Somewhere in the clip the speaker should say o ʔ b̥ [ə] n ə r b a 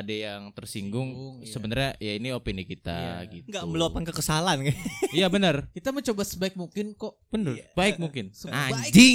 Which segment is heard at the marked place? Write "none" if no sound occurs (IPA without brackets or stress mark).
ə